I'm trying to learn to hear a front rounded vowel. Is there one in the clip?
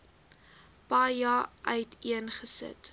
yes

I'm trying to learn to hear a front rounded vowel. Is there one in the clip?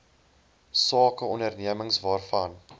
no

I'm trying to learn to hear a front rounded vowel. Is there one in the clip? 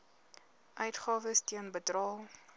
yes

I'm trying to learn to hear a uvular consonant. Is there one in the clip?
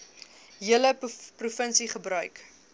yes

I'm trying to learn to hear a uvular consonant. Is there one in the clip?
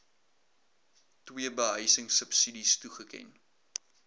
yes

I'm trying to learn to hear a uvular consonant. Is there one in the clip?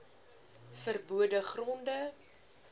yes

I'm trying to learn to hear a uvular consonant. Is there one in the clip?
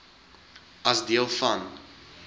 no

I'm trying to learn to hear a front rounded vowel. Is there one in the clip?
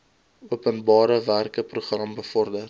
no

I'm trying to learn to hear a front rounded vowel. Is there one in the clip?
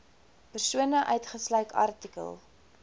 yes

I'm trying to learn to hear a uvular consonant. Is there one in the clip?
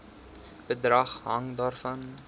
yes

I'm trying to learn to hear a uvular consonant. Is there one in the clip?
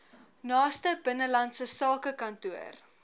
no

